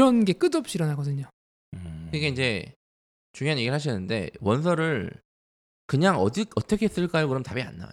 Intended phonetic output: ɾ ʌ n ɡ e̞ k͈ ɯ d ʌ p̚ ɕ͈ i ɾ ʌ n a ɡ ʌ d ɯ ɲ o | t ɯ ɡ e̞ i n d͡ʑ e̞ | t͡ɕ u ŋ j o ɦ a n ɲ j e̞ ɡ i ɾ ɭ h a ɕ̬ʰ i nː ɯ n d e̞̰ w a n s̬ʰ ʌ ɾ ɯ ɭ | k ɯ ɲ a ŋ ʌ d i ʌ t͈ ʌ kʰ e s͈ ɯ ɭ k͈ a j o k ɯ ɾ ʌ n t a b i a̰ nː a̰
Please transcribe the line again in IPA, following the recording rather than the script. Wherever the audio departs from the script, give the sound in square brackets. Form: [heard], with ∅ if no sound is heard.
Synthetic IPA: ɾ ʌ n ɡ e̞ k͈ ɯ d ʌ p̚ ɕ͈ i ɾ ʌ n a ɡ ʌ d ɯ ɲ o | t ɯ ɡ e̞ i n d͡ʑ e̞ | t͡ɕ u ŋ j o ɦ a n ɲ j e̞ ɡ i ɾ ɭ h a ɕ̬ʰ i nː ɯ n d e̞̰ w [ʌ] n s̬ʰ ʌ ɾ ɯ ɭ | k ɯ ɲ a ŋ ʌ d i ʌ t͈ ʌ kʰ e s͈ ɯ ɭ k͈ a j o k ɯ ɾ ʌ [m] t a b i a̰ nː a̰